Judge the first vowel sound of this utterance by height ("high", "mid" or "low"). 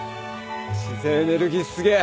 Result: high